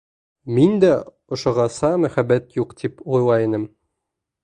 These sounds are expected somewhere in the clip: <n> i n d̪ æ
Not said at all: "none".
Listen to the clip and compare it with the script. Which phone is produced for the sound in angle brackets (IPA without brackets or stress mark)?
m